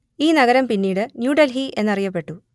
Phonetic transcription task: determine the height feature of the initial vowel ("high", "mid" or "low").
high